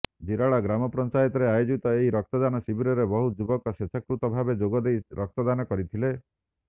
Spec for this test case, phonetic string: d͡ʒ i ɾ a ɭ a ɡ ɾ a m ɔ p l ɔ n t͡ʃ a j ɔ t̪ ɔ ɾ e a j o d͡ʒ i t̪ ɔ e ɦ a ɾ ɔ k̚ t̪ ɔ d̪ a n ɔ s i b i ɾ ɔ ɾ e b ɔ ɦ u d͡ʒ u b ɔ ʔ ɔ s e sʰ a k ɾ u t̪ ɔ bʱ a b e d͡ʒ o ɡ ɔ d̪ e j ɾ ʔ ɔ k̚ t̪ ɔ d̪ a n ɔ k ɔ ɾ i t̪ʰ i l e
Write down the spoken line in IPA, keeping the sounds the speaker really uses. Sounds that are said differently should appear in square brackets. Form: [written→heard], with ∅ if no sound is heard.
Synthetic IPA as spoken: d͡ʒ i ɾ a ɭ a ɡ ɾ a m ɔ p [l→ɾ] ɔ n t͡ʃ a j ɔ t̪ ɔ ɾ e a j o d͡ʒ i t̪ ɔ e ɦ [a→i] ɾ ɔ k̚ t̪ ɔ d̪ a n ɔ s i b i ɾ ɔ ɾ e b ɔ ɦ u d͡ʒ u b ɔ [ʔ→k] ɔ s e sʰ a k ɾ u t̪ ɔ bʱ a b e d͡ʒ o ɡ ɔ d̪ e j ɾ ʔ ɔ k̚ t̪ ɔ d̪ a n ɔ k ɔ ɾ i t̪ʰ i l e